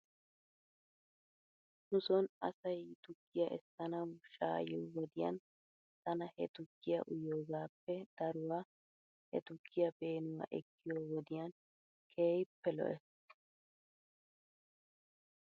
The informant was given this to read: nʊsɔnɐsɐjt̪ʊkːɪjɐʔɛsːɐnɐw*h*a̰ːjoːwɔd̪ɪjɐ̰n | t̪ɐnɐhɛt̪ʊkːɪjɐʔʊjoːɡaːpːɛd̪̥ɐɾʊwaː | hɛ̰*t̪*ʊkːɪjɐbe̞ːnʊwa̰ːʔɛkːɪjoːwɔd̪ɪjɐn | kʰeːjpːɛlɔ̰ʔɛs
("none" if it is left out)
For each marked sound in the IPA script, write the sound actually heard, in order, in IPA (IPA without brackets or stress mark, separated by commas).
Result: ʃ, t̪